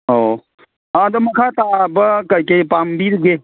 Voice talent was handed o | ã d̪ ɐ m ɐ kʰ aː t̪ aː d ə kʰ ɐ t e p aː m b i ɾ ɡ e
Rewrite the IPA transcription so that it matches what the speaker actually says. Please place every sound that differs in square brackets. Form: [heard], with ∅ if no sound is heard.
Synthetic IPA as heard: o | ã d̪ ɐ m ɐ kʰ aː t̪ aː [b] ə [k] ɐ [k] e p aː m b i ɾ ɡ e

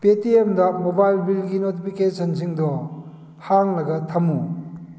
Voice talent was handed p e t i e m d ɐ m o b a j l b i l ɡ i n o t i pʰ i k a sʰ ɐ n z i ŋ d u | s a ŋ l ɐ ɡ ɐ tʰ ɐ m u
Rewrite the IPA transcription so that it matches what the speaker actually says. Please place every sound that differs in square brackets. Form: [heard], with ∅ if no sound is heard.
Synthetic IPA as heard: p e t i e m d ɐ m o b a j l b i l ɡ i n o t i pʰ i k [e] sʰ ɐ n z i ŋ d [ɔ] | [h] a ŋ l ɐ ɡ ɐ tʰ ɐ m u

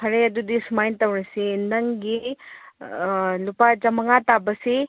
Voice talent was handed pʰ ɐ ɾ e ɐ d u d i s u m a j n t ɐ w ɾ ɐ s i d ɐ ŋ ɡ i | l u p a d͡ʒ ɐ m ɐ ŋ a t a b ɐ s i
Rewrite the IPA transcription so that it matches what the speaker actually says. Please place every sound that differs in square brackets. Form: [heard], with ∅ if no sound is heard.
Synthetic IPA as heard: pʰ ɐ ɾ e ɐ d u d i s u m a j n t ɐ w ɾ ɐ s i [n] ɐ ŋ ɡ i | l u p a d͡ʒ ɐ m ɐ ŋ a t a b ɐ s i

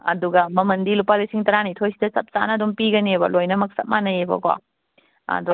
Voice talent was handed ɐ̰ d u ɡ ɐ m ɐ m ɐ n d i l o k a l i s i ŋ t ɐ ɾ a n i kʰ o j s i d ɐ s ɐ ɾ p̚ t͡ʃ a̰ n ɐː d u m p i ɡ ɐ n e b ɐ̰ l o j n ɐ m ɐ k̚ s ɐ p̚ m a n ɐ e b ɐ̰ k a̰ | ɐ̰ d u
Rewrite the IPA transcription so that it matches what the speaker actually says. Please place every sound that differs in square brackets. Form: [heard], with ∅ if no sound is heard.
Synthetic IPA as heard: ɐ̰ d u ɡ ɐ m ɐ m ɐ n d i l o [p] a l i s i ŋ t ɐ ɾ a n i [tʰ] o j s i d ɐ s ɐ [∅] p̚ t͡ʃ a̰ n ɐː d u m p i ɡ ɐ n e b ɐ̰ l o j n ɐ m ɐ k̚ s ɐ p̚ m a n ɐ e b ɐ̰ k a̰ | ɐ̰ d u

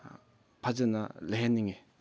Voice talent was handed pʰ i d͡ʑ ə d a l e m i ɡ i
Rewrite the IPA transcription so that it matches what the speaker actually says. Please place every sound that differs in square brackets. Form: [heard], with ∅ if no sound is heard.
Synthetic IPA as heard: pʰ [a] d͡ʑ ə [n] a l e [n] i [ŋ] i

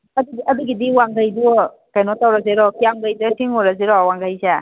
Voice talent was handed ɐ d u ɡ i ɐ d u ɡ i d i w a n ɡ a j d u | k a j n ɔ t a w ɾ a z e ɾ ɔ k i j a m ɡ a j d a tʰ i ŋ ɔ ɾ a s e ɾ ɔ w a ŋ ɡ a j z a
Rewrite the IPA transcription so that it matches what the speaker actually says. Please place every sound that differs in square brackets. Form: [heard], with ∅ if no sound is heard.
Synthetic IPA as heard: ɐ d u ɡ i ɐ d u ɡ i d i w a [ŋ] ɡ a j d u | k a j n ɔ t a w ɾ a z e ɾ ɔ k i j a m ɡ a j d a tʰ i ŋ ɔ ɾ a [z] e ɾ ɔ w a ŋ ɡ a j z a

